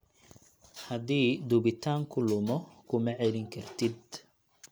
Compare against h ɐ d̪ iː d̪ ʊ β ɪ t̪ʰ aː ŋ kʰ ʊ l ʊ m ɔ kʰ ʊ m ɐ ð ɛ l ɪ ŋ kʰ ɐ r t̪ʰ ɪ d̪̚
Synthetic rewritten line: h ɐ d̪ iː d̪ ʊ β ɪ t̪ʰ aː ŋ kʰ ʊ l ʊ m ɔ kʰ ʊ m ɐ ʕ ɛ l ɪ ŋ kʰ ɐ r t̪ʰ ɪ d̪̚